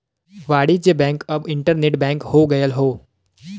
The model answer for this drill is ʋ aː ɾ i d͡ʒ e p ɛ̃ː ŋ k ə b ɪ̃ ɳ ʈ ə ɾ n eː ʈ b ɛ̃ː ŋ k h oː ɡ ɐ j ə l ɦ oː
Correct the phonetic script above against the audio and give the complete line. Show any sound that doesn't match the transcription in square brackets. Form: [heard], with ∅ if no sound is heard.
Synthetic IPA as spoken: ʋ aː [ɽ] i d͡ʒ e [b] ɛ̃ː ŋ k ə b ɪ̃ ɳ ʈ ə ɾ n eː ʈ b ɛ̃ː ŋ k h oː ɡ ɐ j ə l ɦ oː